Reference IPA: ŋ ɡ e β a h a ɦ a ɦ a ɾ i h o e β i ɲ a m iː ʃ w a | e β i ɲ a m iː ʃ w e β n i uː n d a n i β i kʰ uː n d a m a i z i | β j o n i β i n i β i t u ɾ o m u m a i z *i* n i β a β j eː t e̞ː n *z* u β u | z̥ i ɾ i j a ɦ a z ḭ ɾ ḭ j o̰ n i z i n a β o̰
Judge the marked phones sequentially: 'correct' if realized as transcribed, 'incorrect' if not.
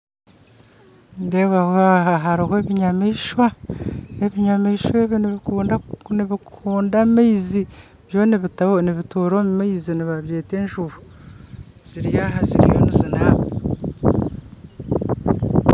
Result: correct, incorrect

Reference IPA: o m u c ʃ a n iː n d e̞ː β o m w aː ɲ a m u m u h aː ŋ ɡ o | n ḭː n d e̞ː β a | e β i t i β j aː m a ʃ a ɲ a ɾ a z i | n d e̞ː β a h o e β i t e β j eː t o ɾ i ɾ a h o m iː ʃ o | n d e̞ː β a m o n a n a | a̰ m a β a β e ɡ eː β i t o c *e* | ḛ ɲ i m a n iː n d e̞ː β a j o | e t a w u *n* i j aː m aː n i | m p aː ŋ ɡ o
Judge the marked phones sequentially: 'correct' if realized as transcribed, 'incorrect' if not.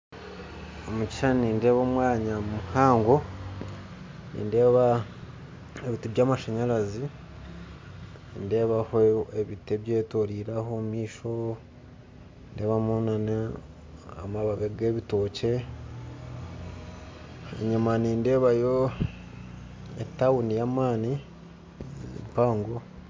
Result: correct, correct

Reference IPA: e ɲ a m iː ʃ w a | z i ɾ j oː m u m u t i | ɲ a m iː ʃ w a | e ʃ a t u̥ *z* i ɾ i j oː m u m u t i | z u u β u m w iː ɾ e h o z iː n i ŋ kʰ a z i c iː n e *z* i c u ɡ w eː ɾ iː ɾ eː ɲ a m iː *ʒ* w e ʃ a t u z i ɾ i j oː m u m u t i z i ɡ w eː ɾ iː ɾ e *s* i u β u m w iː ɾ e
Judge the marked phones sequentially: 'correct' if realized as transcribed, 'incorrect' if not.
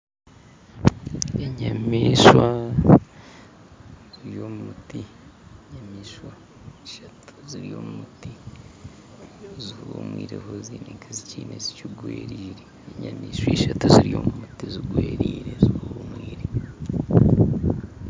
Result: correct, correct, incorrect, incorrect

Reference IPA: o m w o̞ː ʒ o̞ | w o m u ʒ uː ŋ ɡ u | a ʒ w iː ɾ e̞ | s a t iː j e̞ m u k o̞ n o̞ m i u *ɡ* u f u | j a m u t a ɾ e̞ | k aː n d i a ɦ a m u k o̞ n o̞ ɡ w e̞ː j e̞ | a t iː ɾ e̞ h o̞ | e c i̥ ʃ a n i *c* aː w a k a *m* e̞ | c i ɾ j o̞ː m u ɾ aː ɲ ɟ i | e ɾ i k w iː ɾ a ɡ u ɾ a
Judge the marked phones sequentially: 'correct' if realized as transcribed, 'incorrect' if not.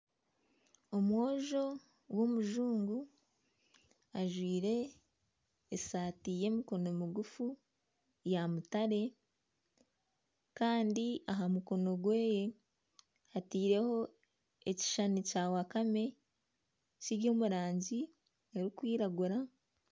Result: correct, correct, correct

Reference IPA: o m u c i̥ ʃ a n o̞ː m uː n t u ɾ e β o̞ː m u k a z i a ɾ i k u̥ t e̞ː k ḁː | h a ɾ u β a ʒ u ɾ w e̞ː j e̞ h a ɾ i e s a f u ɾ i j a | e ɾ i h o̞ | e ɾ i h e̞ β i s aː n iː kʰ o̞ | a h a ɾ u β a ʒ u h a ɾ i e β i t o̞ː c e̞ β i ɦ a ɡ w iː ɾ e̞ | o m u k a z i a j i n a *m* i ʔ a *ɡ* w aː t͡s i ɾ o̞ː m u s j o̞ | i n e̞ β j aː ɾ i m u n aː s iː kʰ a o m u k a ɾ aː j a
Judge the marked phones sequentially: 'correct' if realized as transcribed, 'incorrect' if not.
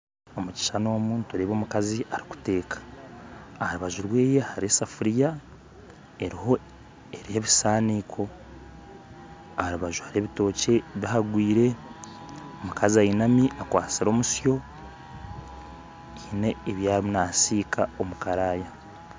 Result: correct, incorrect

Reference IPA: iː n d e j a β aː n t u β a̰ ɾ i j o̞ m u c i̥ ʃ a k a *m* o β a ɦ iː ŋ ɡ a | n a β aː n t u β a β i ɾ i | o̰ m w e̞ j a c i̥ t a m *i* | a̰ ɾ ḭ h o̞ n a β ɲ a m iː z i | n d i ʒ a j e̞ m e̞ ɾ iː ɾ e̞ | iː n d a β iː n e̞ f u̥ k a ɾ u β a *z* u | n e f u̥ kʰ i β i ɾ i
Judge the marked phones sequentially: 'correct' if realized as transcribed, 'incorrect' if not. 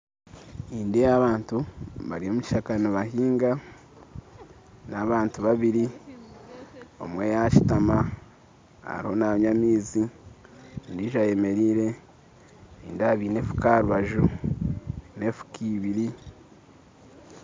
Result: incorrect, incorrect, incorrect

